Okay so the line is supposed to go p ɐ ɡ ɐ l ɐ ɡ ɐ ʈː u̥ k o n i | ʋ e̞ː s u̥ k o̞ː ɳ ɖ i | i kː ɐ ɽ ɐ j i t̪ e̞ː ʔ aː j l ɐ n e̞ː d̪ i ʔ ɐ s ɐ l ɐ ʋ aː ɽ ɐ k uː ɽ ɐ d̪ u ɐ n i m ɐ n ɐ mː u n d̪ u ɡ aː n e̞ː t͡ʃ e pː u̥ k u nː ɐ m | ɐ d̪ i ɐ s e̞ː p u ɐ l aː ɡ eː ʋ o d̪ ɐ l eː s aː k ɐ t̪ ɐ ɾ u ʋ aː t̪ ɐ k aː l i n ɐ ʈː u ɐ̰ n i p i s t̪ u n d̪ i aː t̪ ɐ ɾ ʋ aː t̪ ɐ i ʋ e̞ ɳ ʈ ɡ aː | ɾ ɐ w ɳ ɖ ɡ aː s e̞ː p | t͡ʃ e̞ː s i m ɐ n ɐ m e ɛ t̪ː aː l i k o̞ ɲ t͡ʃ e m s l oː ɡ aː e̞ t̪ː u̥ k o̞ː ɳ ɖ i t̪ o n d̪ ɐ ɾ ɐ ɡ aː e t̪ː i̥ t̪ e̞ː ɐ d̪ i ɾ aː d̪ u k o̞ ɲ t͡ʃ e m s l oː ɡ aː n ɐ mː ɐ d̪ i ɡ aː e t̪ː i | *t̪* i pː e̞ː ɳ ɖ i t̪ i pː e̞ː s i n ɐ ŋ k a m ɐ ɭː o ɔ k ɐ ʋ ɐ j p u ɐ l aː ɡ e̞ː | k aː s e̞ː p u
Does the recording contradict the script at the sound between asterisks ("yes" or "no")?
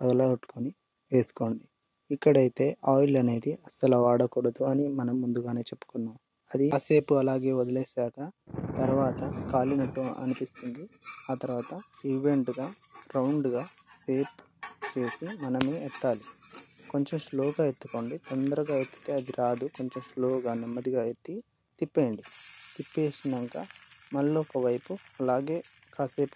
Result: no